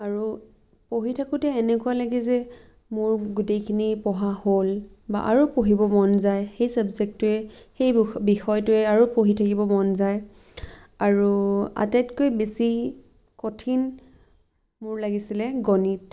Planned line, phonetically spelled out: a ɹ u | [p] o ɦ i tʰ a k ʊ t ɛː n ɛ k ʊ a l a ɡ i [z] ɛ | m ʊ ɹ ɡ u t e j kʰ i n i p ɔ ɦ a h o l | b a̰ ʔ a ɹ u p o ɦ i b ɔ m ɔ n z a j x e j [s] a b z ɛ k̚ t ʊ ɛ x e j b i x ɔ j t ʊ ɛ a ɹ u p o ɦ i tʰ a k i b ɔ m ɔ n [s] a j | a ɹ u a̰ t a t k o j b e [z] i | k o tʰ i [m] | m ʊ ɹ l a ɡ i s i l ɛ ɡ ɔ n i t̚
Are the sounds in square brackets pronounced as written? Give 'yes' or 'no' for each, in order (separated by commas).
yes, yes, yes, no, no, no